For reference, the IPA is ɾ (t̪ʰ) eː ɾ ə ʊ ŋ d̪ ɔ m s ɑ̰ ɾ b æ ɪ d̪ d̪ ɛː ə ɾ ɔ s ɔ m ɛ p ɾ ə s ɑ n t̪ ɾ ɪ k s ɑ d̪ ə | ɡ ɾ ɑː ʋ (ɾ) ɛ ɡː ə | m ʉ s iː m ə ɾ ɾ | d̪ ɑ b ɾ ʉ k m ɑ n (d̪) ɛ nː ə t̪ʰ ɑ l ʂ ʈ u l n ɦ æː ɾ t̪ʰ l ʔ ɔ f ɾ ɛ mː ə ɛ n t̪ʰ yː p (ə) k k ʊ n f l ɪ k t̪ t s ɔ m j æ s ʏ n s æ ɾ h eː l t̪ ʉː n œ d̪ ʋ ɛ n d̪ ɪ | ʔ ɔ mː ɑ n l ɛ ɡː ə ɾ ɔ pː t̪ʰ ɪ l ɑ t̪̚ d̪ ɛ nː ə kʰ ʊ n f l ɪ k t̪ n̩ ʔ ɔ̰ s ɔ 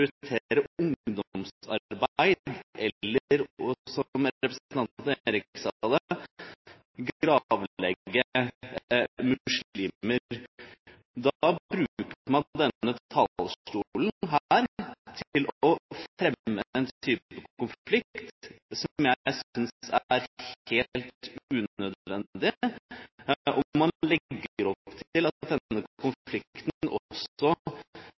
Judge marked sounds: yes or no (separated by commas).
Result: yes, no, yes, yes